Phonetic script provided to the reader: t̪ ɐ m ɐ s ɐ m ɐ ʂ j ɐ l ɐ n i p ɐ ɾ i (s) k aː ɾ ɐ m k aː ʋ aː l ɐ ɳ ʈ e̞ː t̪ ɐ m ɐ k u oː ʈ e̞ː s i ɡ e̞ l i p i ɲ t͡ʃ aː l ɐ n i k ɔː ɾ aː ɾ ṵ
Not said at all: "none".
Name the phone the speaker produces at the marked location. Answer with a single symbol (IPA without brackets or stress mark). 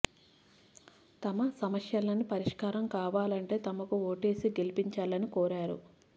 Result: ʂ